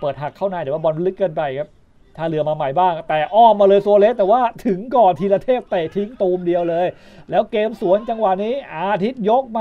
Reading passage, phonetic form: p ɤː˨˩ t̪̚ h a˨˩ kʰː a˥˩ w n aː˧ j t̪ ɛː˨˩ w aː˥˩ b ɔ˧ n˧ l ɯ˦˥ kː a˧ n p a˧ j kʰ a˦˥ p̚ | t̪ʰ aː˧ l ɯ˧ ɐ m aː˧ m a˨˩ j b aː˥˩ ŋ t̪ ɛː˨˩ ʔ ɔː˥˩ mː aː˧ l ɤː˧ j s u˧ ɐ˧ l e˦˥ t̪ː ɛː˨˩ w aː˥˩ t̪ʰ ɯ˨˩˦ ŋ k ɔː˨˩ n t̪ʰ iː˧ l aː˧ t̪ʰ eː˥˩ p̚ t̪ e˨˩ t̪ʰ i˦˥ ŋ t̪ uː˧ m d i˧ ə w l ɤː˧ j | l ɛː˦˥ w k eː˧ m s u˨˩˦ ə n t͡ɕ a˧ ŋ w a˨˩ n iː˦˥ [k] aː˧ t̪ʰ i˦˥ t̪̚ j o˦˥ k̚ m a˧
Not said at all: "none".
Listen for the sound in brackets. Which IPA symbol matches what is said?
ʔ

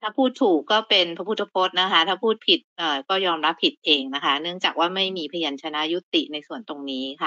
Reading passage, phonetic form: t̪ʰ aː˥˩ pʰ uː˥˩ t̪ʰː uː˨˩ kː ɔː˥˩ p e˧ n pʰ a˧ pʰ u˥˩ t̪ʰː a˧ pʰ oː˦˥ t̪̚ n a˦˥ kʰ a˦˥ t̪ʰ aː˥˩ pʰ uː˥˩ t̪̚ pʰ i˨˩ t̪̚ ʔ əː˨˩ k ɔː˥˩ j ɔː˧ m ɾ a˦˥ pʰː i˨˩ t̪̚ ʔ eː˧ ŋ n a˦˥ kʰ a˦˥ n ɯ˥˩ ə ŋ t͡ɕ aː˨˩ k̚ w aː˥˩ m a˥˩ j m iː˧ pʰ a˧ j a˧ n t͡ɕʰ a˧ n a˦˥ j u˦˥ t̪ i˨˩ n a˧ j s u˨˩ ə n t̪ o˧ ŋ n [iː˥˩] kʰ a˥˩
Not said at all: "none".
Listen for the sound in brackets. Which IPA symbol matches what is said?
iː˦˥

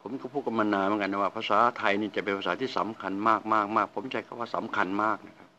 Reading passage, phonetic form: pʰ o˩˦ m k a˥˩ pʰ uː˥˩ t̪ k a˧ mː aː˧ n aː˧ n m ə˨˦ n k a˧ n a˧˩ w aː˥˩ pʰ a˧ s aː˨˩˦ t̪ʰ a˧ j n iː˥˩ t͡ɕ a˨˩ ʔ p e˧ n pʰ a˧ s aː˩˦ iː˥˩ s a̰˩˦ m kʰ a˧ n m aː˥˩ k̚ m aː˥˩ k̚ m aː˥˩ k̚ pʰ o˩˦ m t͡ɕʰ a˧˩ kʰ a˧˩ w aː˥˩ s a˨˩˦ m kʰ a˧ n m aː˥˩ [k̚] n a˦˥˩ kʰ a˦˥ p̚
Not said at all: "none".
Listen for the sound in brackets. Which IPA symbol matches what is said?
k̚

